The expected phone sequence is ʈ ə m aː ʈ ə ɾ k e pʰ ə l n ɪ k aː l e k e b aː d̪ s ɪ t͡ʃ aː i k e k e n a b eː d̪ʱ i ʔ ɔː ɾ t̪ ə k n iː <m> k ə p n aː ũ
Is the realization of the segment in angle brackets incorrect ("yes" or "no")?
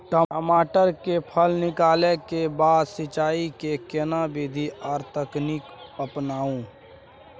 yes